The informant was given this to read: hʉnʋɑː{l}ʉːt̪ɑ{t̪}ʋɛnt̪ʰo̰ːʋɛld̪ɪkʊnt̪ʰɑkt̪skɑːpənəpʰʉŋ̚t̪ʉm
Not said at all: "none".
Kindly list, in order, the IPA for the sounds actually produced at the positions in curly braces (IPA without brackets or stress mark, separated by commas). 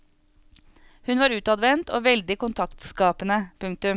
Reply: ɾ, d̪